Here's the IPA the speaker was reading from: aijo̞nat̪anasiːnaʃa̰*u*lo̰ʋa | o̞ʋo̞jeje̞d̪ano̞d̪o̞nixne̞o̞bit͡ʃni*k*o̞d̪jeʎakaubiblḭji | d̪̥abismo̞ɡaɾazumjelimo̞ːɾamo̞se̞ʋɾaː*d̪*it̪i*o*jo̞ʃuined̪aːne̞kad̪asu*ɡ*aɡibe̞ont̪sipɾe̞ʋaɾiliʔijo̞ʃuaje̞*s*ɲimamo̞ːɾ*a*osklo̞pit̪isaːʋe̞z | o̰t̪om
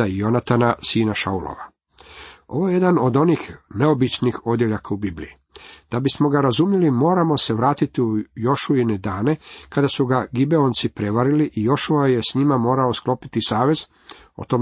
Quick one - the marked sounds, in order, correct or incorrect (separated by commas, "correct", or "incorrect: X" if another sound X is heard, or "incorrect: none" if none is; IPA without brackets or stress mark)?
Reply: correct, incorrect: x, incorrect: t̪, incorrect: u, correct, correct, correct